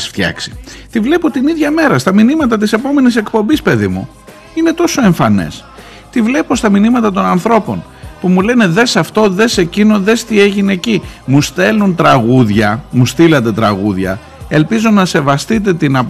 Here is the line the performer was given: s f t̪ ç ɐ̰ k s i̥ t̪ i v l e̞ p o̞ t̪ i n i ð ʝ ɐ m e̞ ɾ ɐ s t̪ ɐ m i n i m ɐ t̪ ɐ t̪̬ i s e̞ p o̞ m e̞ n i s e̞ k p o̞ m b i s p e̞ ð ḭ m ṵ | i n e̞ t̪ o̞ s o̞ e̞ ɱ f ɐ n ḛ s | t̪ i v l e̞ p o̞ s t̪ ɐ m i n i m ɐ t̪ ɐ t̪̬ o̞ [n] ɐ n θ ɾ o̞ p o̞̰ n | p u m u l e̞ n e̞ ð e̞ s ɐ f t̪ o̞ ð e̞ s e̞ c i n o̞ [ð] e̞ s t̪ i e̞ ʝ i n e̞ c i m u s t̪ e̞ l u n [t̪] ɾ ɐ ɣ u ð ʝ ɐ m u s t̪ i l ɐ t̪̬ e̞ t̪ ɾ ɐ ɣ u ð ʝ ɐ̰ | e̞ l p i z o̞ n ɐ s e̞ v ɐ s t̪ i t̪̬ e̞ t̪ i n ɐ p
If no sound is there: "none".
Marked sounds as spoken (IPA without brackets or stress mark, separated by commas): n, ð, t̪